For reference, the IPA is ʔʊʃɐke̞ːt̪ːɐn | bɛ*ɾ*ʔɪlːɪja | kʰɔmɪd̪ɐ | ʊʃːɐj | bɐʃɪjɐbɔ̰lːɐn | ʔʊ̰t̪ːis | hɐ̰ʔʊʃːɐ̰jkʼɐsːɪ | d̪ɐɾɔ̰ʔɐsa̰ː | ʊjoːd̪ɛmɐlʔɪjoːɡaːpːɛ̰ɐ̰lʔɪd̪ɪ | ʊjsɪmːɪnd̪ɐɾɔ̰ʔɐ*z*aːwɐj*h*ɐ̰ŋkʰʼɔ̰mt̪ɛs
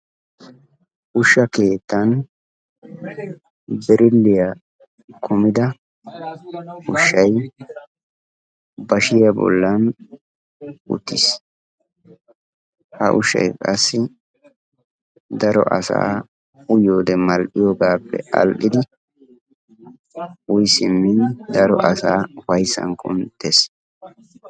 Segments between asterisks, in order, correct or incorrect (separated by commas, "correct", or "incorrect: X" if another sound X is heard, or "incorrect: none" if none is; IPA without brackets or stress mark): correct, incorrect: s, incorrect: s